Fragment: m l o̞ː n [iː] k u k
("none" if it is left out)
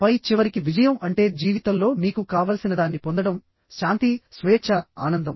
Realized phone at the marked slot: iː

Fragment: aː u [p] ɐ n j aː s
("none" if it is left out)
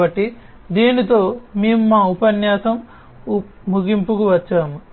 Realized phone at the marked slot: p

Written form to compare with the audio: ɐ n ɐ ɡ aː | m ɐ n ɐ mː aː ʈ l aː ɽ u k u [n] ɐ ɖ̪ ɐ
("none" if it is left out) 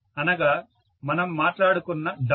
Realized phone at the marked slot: nː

